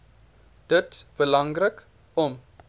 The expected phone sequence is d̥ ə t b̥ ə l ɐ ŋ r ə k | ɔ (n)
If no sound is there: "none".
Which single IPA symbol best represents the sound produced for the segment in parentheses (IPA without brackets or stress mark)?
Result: m